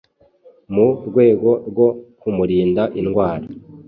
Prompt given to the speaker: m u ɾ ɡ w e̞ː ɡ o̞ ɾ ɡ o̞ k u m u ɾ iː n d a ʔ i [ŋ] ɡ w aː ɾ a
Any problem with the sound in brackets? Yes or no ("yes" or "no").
yes